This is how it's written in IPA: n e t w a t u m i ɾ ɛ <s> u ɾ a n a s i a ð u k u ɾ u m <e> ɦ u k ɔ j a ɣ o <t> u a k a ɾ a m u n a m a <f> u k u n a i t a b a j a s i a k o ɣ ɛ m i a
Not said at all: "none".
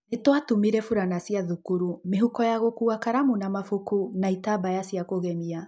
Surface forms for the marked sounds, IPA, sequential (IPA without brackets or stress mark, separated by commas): f, e, k, f